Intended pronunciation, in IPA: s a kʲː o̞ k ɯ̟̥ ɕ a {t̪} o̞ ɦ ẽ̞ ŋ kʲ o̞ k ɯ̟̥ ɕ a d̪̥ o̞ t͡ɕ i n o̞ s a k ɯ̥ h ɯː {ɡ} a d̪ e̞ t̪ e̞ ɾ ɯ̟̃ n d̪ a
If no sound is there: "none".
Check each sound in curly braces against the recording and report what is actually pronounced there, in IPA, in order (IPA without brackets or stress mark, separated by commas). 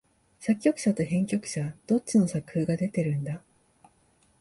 t̪, ɡ